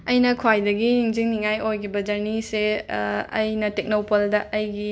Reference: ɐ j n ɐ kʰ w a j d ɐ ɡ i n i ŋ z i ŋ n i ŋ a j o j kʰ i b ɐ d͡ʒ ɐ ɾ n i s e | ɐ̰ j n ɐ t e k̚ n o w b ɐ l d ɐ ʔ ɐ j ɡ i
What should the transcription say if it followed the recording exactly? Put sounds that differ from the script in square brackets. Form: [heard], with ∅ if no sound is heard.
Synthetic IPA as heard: ɐ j n ɐ kʰ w a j d ɐ ɡ i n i ŋ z i ŋ n i ŋ a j o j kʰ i b ɐ d͡ʒ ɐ ɾ n i s e | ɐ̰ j n ɐ t e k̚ n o w [p] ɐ l d ɐ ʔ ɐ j ɡ i